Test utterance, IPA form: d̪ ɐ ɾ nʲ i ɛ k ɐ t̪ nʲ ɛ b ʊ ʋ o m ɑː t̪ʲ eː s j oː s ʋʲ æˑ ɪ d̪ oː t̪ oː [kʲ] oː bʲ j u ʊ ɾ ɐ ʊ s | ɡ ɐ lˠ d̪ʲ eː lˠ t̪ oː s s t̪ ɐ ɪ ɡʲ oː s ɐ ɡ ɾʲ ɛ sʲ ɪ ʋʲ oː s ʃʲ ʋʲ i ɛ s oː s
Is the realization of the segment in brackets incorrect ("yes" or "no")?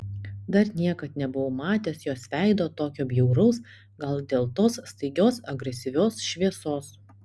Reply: no